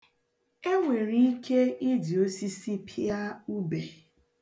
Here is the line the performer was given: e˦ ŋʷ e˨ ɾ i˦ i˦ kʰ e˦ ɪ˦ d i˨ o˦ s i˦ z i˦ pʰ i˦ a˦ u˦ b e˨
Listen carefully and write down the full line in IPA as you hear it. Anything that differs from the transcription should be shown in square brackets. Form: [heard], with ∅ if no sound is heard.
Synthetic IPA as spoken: e˦ ŋʷ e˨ ɾ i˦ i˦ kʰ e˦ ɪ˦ d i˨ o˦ s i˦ [s] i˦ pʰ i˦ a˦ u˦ b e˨